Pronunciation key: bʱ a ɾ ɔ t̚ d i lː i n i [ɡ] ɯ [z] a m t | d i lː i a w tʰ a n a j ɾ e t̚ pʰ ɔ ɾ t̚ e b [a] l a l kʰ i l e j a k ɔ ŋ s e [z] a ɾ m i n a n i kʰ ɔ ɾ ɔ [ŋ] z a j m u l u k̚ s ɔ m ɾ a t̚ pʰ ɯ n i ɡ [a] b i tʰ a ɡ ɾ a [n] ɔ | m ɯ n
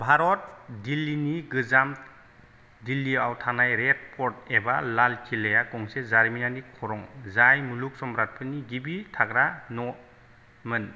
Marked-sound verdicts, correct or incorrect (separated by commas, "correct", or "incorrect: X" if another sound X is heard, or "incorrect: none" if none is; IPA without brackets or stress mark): correct, correct, correct, correct, correct, incorrect: i, correct